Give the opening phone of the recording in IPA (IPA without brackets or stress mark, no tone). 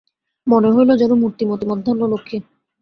m